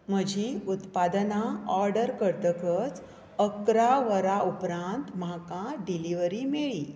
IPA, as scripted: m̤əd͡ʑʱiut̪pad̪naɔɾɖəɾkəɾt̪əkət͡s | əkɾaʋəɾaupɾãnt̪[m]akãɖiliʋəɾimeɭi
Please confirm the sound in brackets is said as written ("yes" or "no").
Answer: yes